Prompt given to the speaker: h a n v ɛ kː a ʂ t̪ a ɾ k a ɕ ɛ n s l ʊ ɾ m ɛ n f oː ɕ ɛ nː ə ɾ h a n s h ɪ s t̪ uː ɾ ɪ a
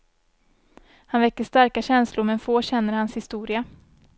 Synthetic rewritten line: h a n v ɛ kː ə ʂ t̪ a ɾ k a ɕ ɛ n s l ʊ ɾ m ɛ n f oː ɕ ɛ nː ə ɾ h a n s h ɪ s t̪ uː ɾ ɪ a